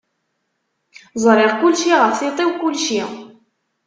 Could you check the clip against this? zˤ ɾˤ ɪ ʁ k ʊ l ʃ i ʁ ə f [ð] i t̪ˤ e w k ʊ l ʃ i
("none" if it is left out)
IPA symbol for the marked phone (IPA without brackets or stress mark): θ